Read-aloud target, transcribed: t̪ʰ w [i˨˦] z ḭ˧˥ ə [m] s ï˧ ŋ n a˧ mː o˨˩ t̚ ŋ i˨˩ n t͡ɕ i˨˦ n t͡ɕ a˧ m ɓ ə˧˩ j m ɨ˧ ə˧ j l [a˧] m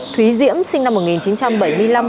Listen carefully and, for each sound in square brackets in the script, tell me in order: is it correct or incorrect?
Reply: correct, correct, correct

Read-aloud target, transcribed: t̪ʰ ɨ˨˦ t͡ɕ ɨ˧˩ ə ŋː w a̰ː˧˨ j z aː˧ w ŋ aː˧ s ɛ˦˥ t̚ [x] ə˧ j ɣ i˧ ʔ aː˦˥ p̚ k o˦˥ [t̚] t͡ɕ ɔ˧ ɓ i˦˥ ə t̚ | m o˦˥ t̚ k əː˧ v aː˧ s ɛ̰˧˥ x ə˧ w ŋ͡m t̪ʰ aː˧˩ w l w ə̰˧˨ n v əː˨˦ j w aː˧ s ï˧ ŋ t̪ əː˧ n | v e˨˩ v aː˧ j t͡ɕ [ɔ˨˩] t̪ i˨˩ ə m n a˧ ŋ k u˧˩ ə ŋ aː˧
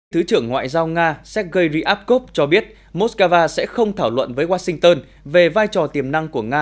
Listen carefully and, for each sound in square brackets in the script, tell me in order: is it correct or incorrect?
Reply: incorrect, incorrect, correct

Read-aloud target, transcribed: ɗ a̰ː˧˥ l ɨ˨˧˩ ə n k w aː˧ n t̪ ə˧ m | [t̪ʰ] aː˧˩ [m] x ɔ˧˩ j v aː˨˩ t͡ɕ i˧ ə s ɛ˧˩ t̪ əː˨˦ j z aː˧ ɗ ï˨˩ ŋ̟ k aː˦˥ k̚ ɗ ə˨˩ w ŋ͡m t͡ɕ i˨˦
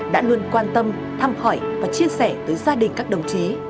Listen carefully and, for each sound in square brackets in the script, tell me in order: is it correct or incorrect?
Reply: correct, correct

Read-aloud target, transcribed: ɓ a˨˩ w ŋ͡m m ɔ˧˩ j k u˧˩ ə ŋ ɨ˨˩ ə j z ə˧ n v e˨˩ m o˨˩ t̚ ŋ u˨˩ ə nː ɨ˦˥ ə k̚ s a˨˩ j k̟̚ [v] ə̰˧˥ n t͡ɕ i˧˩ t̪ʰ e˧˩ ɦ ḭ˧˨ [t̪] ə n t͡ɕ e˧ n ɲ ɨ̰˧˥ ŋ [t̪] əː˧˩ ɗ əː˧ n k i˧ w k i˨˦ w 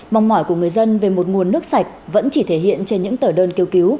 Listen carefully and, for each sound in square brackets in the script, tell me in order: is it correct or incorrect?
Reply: correct, incorrect, correct

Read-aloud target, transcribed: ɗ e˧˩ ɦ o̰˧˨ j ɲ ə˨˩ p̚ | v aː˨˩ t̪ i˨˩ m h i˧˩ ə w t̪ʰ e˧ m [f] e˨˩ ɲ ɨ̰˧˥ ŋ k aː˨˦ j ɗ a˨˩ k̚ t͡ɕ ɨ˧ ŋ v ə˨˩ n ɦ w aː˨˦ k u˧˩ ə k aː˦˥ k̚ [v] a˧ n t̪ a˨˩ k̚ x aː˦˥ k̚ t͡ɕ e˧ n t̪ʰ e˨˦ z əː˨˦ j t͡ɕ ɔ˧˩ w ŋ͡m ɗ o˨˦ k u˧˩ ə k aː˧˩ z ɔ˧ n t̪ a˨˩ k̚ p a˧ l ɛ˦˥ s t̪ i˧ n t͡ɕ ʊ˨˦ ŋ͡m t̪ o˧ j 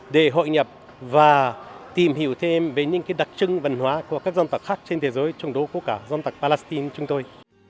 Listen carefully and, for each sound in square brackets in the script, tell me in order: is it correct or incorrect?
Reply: incorrect, incorrect

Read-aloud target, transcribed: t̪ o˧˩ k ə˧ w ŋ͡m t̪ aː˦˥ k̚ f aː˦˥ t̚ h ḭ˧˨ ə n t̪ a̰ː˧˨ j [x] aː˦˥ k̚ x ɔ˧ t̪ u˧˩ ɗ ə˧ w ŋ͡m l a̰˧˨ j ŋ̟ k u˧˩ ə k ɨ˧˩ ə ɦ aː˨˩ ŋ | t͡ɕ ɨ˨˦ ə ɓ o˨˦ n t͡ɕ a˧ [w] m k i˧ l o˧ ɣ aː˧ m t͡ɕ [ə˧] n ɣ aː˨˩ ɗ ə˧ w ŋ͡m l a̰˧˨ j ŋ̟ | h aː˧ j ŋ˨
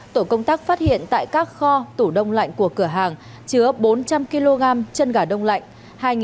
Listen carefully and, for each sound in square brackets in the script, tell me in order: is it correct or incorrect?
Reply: incorrect, incorrect, correct

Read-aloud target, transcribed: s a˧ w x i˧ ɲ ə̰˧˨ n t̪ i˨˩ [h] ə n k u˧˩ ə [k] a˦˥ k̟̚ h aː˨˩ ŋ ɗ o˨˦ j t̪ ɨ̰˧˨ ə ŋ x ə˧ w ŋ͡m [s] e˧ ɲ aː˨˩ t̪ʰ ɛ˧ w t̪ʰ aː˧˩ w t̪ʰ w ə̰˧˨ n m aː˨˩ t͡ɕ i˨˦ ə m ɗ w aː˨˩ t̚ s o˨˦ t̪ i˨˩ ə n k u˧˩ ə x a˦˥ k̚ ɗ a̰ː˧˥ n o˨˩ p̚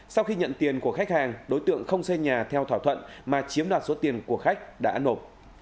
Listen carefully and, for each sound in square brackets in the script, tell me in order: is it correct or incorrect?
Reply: incorrect, incorrect, correct

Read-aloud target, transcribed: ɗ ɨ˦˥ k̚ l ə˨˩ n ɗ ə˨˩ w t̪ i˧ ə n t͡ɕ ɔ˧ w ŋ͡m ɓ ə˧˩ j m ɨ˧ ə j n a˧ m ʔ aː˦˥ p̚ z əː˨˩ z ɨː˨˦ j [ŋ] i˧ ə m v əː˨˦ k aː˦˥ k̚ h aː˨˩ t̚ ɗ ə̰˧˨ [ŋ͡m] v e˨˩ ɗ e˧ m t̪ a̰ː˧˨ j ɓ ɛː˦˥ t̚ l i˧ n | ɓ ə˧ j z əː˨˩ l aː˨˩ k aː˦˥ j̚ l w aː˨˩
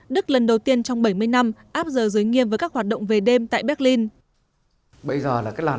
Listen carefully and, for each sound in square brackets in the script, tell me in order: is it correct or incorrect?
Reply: correct, correct

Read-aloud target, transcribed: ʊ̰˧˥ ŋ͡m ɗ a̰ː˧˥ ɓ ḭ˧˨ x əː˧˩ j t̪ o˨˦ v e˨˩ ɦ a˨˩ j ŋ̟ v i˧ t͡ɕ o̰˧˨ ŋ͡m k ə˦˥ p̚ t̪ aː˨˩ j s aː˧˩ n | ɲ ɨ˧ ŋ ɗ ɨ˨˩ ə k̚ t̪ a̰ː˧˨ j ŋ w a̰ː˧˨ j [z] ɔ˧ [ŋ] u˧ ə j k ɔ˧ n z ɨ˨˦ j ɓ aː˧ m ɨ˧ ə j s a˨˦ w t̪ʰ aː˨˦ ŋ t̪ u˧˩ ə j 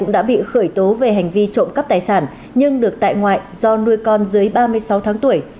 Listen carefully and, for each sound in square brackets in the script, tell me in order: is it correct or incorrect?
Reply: correct, incorrect

